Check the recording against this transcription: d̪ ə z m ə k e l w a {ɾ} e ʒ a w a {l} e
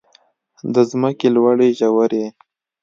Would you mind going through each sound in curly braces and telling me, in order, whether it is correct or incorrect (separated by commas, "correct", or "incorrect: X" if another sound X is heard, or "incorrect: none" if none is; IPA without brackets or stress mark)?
incorrect: ɽ, incorrect: ɾ